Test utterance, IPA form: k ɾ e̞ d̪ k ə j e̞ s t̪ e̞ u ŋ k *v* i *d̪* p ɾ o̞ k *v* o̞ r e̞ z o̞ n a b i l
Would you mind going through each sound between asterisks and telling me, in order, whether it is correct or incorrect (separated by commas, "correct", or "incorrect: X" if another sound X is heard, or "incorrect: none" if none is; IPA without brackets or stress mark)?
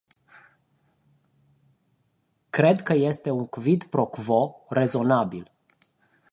correct, correct, correct